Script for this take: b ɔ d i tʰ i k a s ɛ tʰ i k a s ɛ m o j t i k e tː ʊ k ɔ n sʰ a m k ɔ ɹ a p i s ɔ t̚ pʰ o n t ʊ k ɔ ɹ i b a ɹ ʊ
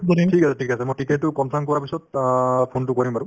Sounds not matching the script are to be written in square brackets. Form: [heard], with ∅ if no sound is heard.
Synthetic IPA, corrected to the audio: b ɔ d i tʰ i k a s ɛ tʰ i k a s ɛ m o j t i k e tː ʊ k ɔ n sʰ a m k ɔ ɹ a p i s ɔ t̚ pʰ o n t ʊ k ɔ ɹ i [m] a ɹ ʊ

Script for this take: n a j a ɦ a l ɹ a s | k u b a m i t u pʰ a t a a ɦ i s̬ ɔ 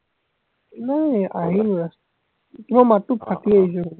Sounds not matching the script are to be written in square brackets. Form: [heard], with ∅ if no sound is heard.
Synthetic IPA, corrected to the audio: n a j a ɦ [i] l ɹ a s | [t] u [m] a m [a] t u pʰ a t [i] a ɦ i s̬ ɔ

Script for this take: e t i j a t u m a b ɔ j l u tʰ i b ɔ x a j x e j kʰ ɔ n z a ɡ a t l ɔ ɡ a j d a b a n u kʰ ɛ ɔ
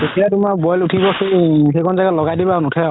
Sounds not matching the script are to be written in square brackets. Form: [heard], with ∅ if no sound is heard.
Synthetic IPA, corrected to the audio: e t i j a t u m a b ɔ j l u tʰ i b ɔ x [e] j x e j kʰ ɔ n z a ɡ a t l ɔ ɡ a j d [i] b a n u [tʰ] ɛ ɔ

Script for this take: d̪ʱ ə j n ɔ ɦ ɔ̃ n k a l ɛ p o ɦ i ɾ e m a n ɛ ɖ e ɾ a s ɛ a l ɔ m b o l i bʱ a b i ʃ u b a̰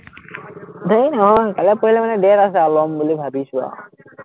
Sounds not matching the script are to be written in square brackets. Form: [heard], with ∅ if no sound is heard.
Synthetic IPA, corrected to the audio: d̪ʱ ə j n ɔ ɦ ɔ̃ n k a l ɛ p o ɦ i [l] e m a n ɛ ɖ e ɾ a s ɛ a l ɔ m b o l i bʱ a b i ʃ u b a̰

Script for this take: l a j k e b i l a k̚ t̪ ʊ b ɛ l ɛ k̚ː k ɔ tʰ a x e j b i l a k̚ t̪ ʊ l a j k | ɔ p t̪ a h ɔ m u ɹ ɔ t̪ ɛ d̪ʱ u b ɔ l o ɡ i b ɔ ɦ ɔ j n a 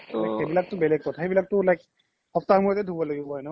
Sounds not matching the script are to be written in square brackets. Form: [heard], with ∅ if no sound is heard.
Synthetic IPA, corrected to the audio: l a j k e b i l a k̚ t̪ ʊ b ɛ l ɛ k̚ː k ɔ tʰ a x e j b i l a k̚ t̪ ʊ l a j k | ɔ p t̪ a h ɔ m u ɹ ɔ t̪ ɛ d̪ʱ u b ɔ l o ɡ i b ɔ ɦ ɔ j n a

